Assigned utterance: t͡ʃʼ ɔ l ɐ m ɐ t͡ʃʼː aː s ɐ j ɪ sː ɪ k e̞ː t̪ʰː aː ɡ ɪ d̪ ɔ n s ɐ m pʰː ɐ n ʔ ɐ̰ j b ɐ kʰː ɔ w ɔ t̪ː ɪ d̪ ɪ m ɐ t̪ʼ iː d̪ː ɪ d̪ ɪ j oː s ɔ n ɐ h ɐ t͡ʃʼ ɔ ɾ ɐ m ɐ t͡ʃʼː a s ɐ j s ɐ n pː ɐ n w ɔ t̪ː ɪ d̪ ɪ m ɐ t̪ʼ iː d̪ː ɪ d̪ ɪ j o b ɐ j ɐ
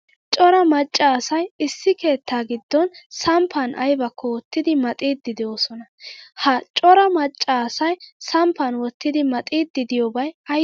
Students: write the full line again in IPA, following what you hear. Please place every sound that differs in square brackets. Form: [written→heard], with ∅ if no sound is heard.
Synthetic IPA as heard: t͡ʃʼ ɔ [l→ɾ] ɐ m ɐ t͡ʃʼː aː s ɐ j ɪ sː ɪ k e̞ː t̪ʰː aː ɡ ɪ [d̪→d̪ː] ɔ n s ɐ m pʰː ɐ n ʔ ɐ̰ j b ɐ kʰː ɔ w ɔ t̪ː ɪ d̪ ɪ m ɐ t̪ʼ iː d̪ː ɪ d̪ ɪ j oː s ɔ n ɐ h ɐ t͡ʃʼ ɔ ɾ ɐ m ɐ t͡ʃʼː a s ɐ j s ɐ [n→m] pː ɐ n w ɔ t̪ː ɪ d̪ ɪ m ɐ t̪ʼ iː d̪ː ɪ d̪ ɪ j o b ɐ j ɐ